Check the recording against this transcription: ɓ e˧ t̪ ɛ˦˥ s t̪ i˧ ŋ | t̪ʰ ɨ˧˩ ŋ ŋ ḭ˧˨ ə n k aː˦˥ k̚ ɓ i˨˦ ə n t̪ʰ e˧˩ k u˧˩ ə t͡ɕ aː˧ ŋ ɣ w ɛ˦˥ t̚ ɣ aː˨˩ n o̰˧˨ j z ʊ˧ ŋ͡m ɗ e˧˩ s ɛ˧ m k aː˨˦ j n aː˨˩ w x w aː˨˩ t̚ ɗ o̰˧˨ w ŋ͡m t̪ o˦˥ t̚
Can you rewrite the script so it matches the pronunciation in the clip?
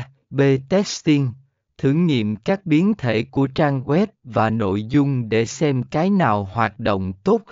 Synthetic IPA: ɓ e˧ t̪ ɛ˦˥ s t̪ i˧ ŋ | t̪ʰ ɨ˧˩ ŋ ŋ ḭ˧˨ ə m k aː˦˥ k̚ ɓ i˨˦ ə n t̪ʰ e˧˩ k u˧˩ ə t͡ɕ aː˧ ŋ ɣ w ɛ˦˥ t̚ v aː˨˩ n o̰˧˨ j z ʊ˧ ŋ͡m ɗ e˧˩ s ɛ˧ m k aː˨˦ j n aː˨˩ w h w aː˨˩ t̚ ɗ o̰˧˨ w ŋ͡m t̪ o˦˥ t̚